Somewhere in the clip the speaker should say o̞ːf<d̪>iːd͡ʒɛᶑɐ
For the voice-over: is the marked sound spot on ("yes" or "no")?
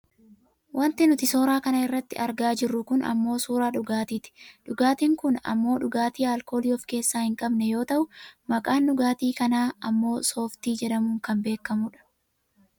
no